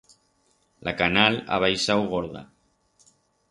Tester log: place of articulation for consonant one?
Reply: alveolar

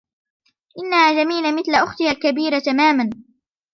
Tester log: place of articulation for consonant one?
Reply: glottal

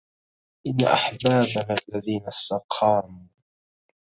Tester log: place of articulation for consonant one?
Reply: glottal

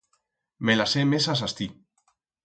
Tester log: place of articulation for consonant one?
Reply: labial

